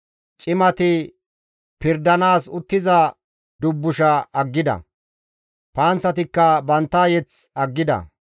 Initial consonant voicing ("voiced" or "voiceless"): voiceless